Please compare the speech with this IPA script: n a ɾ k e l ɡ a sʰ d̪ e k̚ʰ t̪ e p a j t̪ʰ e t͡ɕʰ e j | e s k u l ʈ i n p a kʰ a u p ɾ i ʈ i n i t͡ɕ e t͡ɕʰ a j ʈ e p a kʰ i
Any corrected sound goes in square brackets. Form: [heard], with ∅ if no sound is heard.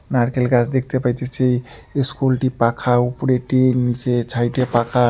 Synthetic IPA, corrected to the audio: n a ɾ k e l ɡ a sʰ d̪ e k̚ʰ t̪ e p a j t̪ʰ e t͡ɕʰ e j | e s k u l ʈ i [∅] p a kʰ a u p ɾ [e] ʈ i n i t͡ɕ e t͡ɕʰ a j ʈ e p a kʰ [a]